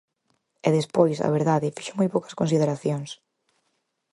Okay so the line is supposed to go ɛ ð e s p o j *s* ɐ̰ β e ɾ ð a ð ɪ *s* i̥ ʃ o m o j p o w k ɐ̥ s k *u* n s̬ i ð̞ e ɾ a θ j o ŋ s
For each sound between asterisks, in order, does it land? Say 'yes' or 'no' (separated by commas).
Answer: yes, no, no